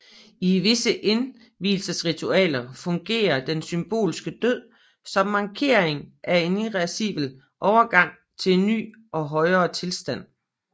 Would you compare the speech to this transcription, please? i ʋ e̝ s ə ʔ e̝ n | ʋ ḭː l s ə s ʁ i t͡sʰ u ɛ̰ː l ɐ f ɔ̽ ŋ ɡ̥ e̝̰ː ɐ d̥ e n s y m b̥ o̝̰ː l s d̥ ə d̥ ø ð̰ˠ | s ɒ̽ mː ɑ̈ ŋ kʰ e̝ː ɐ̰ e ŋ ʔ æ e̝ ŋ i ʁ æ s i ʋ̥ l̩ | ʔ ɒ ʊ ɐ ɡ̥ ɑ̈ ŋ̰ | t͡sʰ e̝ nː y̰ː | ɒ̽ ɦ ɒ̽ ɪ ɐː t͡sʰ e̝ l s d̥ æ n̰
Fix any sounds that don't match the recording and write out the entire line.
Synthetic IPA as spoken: i ʋ e̝ s ə ʔ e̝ n | ʋ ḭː l s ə s ʁ i t͡sʰ u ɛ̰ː l ɐ f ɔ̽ ŋ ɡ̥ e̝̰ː ɐ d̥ e n s y m b̥ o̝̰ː l s ɡ̥ ə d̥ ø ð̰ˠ | s ɒ̽ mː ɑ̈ ŋ kʰ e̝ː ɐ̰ e ŋ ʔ æ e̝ n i ʁ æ s i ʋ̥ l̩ | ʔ ɒ ʊ ɐ ɡ̥ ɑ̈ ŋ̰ | t͡sʰ e̝ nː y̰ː | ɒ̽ ɦ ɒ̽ ɪ ɐː t͡sʰ e̝ l s d̥ æ n̰

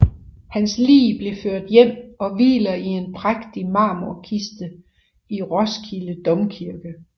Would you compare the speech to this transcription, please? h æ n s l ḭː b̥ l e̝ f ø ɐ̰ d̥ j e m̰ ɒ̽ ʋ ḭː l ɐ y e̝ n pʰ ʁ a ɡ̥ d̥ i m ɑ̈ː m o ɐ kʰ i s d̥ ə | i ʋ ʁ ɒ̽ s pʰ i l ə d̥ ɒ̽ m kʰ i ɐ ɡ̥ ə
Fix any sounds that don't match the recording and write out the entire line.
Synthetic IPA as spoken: h æ n s l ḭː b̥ l e̝ f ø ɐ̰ d̥ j e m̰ ɒ̽ ʋ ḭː l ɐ i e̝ n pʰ ʁ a ɡ̥ d̥ i m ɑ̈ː m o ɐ kʰ i s d̥ ə | i ʁ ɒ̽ s kʰ i l ə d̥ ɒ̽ m kʰ i ɐ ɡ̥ ə

